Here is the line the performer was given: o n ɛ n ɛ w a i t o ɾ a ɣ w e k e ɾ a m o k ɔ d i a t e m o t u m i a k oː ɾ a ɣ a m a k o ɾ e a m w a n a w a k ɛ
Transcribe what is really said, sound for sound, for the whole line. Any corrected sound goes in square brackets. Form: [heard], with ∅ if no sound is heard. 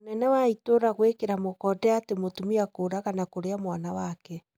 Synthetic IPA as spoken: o n ɛ n ɛ w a i t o ɾ a ɣ w e k e ɾ a m o k ɔ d [ɛ] a t e m o t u m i a k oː ɾ a ɣ a [n] a k o ɾ e a m w a n a w a k ɛ